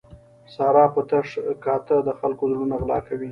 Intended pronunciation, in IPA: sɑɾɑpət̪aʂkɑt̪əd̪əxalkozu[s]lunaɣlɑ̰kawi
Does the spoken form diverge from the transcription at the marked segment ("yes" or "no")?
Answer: yes